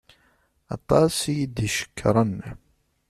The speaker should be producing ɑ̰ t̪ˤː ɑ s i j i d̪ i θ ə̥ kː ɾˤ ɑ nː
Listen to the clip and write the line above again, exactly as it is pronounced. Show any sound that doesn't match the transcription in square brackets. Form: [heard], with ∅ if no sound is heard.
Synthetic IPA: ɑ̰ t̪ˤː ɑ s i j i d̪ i [ʃ] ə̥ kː ɾˤ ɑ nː